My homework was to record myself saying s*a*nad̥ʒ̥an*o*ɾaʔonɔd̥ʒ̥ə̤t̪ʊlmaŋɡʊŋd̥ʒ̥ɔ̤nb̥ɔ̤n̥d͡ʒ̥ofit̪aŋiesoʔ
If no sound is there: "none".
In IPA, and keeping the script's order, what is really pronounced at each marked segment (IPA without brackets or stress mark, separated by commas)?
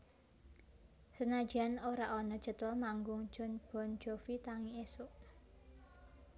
ə, o